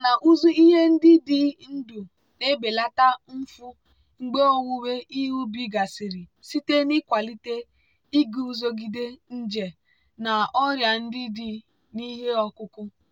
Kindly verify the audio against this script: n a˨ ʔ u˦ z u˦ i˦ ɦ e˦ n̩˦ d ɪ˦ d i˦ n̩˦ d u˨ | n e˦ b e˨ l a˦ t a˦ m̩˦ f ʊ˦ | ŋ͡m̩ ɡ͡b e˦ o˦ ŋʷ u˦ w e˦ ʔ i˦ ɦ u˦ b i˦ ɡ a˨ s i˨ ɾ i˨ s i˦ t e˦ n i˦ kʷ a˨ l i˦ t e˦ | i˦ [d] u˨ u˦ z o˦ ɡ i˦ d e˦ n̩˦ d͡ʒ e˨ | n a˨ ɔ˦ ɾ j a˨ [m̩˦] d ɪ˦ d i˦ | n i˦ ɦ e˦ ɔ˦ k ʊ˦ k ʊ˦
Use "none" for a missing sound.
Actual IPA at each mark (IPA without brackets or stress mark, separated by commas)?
ɡ, n̩˦